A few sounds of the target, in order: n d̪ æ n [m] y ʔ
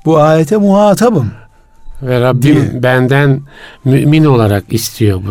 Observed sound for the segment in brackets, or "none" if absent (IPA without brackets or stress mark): m